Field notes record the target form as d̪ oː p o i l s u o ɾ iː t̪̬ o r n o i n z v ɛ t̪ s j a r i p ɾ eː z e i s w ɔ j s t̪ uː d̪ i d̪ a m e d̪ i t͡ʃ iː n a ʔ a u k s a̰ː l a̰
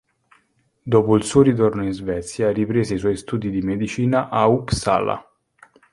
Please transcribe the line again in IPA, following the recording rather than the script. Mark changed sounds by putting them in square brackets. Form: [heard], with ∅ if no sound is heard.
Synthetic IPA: d̪ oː p o i l s u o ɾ [i] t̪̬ o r n o i n z v ɛ t̪ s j a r i p ɾ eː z e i s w ɔ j s t̪ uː d̪ i d̪ [i] m e d̪ i t͡ʃ iː n a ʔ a u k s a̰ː l a̰